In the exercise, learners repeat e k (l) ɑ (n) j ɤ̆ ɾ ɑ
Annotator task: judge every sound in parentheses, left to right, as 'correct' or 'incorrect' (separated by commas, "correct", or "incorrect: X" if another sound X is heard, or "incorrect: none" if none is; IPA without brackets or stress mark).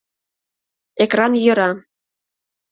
incorrect: r, correct